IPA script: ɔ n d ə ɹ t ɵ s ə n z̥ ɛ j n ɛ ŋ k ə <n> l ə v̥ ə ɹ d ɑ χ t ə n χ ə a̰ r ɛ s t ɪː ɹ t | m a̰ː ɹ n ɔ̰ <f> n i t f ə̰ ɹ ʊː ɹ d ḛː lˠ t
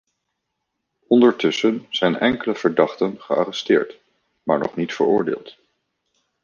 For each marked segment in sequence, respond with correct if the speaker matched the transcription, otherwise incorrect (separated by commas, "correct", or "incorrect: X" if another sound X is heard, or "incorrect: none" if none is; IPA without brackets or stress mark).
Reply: incorrect: none, incorrect: χ